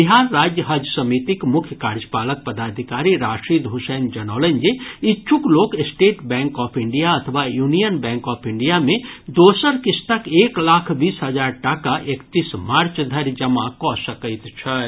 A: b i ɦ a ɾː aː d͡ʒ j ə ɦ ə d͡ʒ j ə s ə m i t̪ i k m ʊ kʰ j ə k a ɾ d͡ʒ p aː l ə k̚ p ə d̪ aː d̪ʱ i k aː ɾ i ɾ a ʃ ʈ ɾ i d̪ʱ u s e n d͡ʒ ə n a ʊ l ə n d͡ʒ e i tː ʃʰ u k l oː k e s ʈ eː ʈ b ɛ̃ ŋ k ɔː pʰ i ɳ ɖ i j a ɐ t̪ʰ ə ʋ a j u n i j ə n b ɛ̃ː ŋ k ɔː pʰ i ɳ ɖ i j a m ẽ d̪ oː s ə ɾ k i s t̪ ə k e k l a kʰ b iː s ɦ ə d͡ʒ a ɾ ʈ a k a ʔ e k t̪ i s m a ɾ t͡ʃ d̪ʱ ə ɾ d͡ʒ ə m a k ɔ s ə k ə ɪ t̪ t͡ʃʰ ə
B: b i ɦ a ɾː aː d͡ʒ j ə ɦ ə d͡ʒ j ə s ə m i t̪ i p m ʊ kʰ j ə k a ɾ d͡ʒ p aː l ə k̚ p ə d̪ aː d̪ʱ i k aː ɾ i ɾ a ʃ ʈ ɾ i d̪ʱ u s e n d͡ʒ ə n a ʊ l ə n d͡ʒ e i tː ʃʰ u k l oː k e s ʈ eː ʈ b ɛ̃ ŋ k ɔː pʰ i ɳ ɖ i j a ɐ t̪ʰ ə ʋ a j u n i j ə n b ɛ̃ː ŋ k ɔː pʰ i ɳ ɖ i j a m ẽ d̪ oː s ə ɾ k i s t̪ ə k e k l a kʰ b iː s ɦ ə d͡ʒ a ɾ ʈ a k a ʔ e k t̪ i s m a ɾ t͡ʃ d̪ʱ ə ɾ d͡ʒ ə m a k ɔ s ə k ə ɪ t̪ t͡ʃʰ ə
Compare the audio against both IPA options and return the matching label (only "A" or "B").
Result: A